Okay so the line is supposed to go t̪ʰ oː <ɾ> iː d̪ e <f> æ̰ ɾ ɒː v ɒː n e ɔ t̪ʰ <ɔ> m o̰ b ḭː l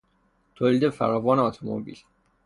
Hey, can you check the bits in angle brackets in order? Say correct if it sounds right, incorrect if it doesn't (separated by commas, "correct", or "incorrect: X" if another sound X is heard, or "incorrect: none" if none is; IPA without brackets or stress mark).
incorrect: l, correct, incorrect: o